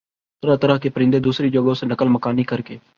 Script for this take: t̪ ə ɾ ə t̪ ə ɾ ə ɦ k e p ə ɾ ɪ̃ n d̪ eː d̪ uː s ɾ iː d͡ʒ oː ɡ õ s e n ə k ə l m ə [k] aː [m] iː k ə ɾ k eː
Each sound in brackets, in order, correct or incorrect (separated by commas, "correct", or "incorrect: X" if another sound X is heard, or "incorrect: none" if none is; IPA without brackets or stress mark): correct, incorrect: n